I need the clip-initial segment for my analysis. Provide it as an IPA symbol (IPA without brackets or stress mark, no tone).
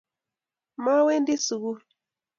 m